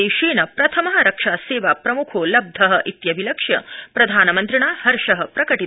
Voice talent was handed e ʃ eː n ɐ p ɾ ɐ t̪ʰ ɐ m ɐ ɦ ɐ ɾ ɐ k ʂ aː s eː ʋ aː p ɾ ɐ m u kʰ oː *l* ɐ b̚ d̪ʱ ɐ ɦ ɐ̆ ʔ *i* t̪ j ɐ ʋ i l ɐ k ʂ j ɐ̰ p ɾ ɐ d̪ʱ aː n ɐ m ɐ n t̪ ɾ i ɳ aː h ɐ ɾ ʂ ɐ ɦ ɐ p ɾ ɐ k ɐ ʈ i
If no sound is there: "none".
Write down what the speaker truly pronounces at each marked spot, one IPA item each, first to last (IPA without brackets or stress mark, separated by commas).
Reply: l, i